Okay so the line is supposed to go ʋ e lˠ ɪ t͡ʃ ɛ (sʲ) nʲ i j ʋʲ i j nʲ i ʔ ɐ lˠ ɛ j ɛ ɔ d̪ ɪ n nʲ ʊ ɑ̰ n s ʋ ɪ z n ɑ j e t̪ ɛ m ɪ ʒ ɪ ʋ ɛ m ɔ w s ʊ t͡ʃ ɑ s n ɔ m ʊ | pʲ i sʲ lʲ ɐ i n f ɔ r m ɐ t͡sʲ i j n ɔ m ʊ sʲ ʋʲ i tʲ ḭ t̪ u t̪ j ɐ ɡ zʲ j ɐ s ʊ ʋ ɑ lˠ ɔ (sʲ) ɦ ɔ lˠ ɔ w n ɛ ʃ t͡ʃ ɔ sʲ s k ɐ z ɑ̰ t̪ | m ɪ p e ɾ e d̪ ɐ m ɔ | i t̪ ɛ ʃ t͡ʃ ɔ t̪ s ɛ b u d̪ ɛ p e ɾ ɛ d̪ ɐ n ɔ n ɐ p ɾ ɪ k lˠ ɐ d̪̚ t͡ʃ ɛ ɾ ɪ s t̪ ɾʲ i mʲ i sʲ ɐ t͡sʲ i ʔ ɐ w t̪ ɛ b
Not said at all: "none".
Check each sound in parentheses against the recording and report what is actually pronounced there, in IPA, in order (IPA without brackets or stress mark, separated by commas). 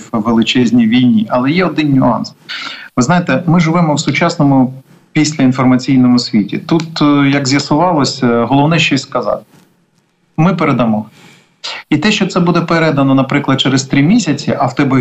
zʲ, sʲ